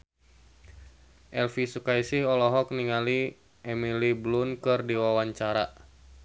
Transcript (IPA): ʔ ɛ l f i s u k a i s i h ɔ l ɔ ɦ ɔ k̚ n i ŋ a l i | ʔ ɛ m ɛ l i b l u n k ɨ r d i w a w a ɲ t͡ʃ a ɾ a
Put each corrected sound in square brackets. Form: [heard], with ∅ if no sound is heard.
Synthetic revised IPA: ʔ ɛ l f i s u k a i s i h ɔ l ɔ ɦ ɔ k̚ n i ŋ a l i | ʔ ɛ m [i] l i b l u n k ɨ r d i w a w a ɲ t͡ʃ a ɾ a